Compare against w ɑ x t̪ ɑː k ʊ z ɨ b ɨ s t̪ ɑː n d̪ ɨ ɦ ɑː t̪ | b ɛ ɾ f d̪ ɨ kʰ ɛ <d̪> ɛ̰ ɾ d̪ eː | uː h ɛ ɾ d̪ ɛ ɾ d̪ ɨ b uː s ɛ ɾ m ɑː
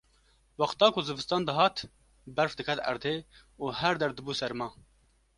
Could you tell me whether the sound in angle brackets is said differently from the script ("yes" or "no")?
yes